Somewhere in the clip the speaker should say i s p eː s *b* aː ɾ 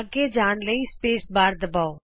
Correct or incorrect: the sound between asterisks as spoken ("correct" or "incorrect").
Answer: correct